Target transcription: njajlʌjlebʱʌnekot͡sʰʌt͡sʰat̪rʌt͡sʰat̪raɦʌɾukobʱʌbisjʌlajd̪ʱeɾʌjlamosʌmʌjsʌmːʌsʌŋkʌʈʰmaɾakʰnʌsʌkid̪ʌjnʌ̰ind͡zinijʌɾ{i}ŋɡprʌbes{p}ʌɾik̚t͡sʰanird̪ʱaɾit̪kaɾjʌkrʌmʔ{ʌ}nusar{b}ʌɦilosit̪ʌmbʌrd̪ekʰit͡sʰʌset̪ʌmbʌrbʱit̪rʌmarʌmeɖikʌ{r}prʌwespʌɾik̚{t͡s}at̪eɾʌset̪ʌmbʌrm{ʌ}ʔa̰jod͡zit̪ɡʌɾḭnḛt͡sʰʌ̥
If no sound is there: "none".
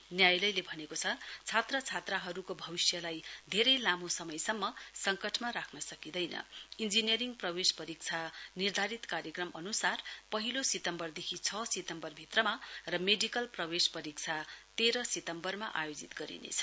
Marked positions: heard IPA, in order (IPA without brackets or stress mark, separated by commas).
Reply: i, p, ʌ, p, l, t͡sʰ, a